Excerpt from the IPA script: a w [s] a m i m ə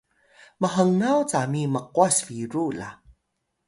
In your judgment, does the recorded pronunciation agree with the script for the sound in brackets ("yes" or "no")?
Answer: no